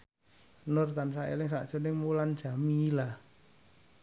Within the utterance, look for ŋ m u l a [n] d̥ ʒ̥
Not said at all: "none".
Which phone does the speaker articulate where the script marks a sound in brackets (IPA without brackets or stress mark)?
n